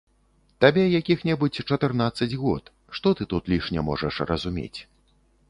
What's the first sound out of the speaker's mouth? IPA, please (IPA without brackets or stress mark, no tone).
t̪